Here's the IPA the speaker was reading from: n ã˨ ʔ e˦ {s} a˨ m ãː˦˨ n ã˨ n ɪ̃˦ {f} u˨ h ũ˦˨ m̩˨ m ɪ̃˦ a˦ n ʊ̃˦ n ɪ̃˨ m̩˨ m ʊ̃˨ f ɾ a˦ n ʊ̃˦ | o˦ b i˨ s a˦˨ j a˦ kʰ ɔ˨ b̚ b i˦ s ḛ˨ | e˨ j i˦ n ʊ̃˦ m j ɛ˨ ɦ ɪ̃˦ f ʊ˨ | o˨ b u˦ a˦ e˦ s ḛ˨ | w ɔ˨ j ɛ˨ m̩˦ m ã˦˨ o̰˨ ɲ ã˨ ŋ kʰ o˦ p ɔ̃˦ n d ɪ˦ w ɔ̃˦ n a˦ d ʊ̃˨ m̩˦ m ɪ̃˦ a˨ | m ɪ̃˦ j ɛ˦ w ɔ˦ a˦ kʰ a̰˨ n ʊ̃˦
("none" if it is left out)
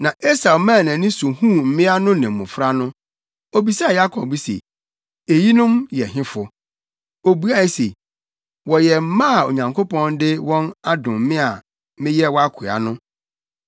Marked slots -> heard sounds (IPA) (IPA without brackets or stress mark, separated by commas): s, s